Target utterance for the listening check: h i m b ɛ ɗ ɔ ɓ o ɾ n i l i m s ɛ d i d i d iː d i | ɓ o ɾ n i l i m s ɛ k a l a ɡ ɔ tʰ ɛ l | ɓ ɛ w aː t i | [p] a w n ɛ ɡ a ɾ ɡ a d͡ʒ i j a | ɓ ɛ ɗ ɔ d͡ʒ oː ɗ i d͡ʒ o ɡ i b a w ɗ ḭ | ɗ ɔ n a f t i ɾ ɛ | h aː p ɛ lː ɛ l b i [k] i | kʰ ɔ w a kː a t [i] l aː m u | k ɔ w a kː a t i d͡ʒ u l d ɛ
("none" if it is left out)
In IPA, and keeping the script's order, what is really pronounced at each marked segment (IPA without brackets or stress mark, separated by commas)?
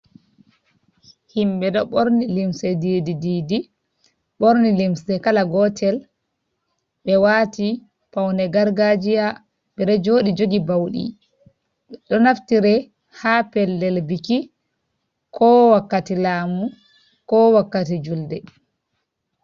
p, k, i